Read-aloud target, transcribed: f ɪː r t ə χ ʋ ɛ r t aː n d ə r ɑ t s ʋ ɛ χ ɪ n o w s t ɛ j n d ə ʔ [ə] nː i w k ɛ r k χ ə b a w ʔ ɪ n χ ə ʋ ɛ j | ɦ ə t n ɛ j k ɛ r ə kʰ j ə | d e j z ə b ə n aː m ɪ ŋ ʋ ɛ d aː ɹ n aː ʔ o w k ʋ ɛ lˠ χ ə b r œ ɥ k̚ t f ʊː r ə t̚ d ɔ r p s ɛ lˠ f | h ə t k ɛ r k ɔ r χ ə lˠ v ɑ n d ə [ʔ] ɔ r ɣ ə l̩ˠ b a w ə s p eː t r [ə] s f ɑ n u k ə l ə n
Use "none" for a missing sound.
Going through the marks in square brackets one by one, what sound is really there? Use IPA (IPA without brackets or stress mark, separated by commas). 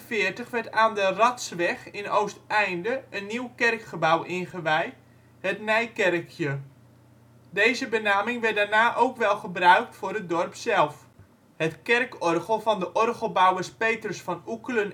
ə, ʔ, ə